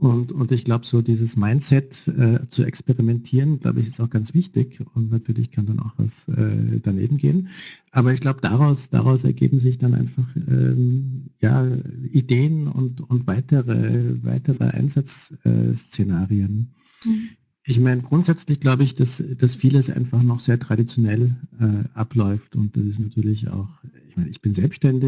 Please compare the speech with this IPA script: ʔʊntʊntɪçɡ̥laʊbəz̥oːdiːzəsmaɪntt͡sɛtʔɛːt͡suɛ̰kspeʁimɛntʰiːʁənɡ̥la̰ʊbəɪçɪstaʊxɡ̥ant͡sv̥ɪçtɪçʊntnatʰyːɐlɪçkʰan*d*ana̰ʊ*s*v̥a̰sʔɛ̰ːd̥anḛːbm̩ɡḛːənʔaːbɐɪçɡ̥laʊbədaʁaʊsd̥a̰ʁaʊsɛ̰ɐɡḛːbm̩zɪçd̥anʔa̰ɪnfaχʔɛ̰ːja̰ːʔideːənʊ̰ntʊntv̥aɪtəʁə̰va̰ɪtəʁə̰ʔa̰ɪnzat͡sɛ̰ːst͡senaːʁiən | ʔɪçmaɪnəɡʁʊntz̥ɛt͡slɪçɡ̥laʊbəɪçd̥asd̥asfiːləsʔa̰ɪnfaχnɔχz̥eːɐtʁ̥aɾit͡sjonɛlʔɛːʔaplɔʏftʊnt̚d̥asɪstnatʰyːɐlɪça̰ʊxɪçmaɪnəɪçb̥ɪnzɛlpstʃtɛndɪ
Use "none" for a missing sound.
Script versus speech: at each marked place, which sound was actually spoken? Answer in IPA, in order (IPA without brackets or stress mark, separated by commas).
d, x